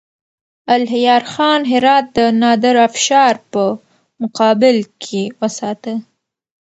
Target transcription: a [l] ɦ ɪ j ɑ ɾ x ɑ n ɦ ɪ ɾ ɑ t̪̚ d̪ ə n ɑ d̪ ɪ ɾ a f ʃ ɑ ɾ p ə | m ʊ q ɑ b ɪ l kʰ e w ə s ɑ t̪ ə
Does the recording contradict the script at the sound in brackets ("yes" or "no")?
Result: no